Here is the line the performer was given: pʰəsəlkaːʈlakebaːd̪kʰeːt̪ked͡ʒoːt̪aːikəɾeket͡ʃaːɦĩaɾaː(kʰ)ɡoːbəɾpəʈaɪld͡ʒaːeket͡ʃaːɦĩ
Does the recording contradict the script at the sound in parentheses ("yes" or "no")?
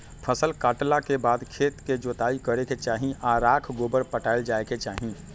no